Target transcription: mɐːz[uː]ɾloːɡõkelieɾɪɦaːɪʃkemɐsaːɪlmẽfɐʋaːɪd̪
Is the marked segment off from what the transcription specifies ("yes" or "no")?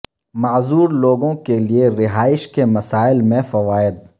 no